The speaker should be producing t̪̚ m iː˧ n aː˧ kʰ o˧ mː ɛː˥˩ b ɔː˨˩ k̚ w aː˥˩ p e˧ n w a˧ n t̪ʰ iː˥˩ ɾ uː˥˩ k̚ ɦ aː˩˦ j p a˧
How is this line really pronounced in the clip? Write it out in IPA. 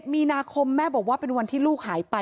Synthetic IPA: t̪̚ m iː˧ n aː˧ kʰ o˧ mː ɛː˥˩ b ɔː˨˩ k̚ w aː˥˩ p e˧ n w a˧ n t̪ʰ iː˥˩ l uː˥˩ k̚ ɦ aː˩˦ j p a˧